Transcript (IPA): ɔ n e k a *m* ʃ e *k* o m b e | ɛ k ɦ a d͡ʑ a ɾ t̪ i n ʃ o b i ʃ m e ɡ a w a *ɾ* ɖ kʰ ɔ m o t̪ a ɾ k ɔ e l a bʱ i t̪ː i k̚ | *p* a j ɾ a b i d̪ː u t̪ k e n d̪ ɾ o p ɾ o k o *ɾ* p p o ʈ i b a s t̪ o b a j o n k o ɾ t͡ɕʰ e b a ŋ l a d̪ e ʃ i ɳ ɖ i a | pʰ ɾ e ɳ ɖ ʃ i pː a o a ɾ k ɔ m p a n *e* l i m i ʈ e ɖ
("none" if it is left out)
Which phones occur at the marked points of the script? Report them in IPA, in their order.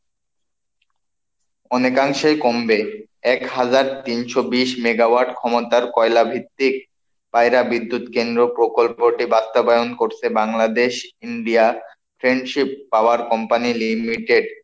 ŋ, k, ɾ, p, l, i

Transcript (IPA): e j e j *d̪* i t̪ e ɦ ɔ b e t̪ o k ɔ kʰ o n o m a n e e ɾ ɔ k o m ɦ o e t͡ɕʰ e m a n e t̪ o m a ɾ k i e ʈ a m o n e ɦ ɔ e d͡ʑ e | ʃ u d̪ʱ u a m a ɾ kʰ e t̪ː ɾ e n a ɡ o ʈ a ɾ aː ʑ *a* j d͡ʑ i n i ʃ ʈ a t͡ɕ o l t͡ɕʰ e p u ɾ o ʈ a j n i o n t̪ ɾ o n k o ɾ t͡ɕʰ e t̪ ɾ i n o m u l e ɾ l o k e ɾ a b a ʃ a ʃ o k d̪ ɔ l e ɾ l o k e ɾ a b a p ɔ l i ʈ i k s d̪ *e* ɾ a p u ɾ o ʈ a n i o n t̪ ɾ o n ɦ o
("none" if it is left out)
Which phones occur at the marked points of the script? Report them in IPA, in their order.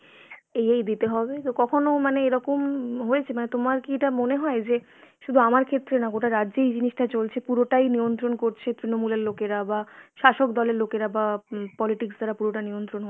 d̪, e, a

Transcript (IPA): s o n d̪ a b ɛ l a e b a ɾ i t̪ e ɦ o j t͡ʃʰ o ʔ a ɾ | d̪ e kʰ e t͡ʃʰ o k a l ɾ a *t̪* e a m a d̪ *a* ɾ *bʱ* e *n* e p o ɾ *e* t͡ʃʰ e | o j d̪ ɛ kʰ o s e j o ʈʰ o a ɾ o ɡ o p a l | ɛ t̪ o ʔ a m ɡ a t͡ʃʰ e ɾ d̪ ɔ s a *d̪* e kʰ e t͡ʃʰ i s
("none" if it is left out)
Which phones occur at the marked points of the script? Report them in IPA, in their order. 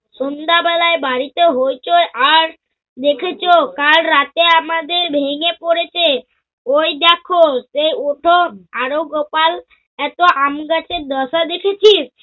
t̪, e, bʱ, ŋ, e, d̪

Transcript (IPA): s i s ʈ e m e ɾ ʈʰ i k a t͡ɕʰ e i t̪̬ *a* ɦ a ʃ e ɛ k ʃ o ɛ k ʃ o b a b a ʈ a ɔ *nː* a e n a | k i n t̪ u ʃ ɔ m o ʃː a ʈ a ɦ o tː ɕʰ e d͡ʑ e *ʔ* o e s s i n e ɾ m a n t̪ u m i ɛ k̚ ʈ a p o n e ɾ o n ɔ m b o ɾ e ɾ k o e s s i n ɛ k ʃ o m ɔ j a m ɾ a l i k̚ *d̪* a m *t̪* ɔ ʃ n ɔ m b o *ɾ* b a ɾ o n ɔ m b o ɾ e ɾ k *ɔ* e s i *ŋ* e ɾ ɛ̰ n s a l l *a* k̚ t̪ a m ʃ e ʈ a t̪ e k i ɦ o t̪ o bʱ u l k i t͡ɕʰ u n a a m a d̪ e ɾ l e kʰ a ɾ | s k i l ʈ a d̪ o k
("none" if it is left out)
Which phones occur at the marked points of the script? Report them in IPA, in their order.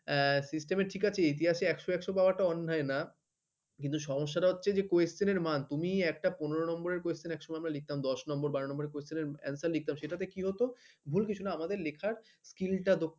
i, nː, k, t̪, d̪, ɾ, o, n, i

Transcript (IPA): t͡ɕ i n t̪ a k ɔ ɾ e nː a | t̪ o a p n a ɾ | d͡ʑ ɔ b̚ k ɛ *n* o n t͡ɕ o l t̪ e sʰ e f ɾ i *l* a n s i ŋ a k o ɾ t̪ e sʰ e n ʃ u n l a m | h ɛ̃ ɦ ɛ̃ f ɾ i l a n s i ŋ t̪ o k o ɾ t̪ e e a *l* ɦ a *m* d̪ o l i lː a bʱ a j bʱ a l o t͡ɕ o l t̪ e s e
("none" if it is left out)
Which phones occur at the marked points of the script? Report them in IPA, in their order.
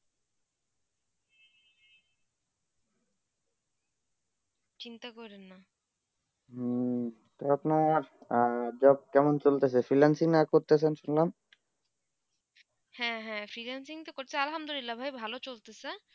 m, l, l, m

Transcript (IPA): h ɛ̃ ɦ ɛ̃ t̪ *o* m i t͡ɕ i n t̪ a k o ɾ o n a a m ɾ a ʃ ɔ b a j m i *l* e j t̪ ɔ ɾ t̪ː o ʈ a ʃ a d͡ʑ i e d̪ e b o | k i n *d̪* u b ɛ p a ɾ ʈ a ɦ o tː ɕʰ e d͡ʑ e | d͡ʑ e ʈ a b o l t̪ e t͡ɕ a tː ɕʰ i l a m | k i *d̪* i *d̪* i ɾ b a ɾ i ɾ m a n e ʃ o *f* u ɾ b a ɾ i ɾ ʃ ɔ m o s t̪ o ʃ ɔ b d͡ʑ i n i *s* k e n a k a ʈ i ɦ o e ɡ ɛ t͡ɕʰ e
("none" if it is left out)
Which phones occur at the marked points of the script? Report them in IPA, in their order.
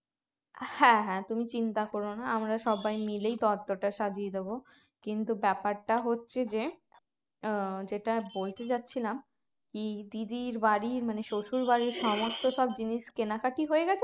u, l, t̪, d̪, d̪, ʃ, ʃ

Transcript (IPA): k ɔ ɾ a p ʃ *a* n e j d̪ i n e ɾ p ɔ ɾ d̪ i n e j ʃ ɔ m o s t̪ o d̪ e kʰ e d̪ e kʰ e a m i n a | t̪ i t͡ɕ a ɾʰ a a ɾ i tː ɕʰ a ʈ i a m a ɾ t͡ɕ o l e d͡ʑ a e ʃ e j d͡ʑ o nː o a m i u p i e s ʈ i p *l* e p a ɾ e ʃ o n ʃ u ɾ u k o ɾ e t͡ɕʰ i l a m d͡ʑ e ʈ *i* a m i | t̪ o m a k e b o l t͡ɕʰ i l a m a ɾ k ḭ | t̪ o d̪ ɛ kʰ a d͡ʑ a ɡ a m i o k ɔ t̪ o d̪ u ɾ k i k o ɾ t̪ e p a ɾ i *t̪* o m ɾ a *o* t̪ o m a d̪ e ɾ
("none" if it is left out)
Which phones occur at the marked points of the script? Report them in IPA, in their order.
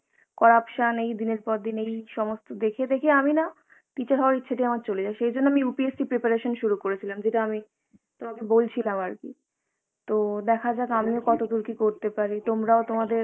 a, ɾ, a, t̪, o

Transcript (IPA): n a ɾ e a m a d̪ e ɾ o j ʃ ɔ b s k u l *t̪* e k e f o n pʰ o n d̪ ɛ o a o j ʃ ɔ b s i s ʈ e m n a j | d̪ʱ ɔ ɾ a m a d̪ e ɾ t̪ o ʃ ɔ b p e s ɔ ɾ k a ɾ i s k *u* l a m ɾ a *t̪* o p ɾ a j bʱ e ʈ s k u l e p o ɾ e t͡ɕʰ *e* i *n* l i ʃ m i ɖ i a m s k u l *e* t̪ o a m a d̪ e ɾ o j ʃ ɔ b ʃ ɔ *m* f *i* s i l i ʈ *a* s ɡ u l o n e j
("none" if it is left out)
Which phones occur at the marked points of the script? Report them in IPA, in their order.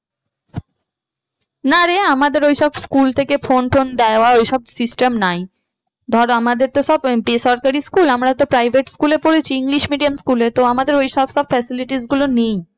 t̪ʰ, u, t̪, i, ŋ, e, b, ɛ, i

